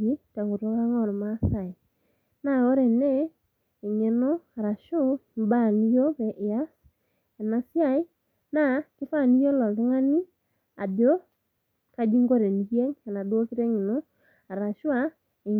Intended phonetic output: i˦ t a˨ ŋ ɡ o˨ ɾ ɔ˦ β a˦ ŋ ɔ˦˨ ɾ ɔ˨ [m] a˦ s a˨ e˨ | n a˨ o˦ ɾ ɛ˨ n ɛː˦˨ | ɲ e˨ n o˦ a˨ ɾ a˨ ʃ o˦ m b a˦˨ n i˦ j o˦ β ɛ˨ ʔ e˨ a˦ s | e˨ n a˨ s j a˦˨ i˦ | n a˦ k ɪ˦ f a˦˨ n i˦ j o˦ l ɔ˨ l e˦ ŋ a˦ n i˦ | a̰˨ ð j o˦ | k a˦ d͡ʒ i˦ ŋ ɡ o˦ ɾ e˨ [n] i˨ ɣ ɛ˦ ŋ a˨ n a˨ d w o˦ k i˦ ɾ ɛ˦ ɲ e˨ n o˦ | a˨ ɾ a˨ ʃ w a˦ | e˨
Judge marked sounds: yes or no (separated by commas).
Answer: yes, yes